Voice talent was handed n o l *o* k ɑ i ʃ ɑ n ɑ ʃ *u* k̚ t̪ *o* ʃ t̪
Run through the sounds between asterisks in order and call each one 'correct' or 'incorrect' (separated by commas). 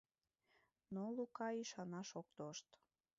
incorrect, incorrect, correct